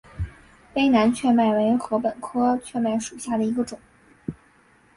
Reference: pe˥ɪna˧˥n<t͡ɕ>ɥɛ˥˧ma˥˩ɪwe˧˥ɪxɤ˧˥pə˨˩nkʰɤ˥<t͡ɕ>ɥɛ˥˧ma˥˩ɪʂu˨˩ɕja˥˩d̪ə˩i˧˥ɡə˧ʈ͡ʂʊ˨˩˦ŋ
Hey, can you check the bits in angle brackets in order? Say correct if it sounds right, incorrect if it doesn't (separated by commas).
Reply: incorrect, incorrect